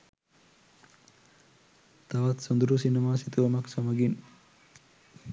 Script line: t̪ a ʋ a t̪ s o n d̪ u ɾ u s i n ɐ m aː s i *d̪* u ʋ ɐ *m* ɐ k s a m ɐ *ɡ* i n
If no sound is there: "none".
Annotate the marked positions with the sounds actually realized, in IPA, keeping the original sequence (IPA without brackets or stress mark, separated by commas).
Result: t̪, m, ɡ